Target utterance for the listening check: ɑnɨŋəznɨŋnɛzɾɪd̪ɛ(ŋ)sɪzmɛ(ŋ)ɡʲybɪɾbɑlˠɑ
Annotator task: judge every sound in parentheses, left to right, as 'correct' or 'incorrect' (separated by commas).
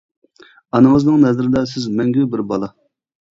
incorrect, correct